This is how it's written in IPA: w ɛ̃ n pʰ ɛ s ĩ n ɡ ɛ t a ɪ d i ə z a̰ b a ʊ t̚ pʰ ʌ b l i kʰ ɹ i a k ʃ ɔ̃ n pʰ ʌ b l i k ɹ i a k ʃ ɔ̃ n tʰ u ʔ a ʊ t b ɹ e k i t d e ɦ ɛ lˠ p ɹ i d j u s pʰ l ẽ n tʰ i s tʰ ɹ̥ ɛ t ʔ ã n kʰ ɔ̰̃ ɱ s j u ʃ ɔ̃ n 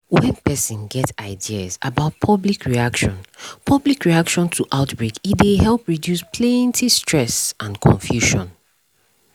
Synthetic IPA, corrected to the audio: w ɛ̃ n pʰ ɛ s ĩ n ɡ ɛ t a ɪ d i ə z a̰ b a ʊ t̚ pʰ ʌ b l i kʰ ɹ i a k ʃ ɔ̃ n pʰ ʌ b l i k ɹ i a k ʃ ɔ̃ n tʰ u ʔ a ʊ t b ɹ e k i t d e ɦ ɛ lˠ p ɹ i d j u s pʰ l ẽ n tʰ i s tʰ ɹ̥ ɛ s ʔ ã n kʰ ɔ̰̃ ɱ f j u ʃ ɔ̃ n